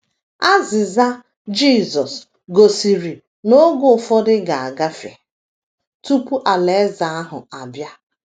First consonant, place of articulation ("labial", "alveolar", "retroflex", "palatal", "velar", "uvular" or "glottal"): alveolar